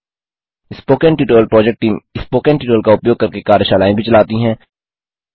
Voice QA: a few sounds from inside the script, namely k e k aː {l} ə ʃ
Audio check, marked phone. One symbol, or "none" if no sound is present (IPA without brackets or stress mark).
ɾ